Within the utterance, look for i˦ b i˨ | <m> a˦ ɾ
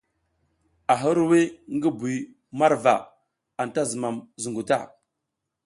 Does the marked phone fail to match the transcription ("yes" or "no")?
no